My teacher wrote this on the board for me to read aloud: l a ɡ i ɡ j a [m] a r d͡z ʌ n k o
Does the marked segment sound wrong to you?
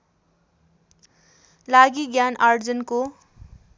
yes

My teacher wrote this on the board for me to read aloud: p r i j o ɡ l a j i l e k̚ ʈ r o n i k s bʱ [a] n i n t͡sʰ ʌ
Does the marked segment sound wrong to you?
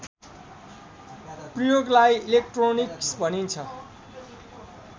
yes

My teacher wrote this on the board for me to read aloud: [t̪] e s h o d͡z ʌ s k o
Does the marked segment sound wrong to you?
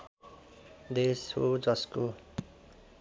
yes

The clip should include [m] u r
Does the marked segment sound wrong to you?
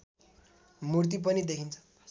no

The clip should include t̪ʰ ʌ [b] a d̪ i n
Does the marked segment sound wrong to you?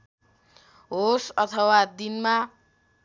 yes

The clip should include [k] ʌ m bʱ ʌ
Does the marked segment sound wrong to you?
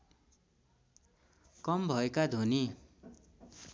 no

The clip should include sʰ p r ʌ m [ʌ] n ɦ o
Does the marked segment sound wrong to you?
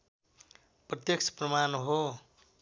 yes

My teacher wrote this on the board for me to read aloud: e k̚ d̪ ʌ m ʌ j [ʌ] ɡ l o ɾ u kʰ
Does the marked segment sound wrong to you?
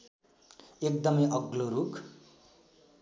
no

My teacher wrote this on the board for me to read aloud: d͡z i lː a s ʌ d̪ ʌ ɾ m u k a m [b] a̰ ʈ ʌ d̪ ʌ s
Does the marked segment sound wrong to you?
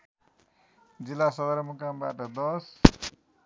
no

